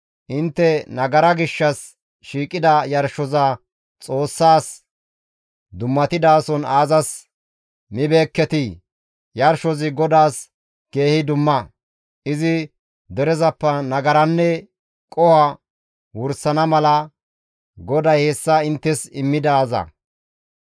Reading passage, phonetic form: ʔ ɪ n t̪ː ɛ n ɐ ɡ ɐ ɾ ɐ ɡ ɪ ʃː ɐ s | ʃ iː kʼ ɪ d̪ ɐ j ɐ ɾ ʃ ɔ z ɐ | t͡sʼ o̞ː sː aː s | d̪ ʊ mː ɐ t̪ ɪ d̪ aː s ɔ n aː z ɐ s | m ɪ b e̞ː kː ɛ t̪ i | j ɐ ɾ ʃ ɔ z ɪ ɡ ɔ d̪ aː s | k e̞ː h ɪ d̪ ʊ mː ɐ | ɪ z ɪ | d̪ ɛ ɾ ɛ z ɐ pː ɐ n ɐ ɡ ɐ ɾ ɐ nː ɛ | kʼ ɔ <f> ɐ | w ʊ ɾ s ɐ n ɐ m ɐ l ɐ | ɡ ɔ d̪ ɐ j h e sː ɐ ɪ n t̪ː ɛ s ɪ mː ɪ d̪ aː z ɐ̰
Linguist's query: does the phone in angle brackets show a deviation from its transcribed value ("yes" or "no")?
yes